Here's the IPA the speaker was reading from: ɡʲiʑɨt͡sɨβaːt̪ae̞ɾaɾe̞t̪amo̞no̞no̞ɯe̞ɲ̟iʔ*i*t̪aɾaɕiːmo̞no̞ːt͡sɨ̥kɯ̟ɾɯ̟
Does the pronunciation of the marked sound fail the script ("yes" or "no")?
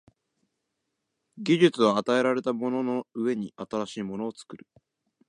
yes